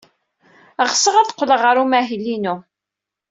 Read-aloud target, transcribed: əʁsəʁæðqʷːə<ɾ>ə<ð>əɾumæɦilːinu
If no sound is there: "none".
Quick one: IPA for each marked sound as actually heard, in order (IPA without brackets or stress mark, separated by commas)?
l, ʁ